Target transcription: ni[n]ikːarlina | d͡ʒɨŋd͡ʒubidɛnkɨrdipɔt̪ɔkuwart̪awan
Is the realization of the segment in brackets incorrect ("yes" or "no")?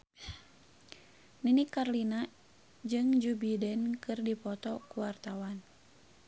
no